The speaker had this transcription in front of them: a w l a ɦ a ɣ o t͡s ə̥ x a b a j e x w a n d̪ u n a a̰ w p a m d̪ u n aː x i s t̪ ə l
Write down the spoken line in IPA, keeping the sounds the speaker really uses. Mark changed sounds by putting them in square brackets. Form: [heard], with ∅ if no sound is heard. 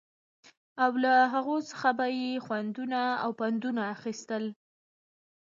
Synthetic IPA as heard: a w l a ɦ a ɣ o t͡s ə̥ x a b a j e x w a n d̪ u n a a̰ w p a [n] d̪ u n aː x i s t̪ ə l